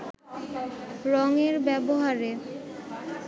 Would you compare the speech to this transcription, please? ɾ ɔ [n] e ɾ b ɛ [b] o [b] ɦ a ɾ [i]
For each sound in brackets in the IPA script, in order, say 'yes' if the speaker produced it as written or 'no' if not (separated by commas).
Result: no, yes, no, no